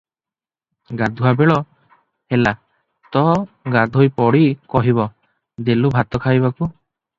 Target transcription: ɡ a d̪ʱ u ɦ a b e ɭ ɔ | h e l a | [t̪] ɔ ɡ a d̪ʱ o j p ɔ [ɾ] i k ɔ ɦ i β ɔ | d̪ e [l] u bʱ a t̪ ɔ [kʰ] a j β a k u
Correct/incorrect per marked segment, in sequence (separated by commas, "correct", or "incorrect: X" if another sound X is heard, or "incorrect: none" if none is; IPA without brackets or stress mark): correct, incorrect: ɽ, correct, correct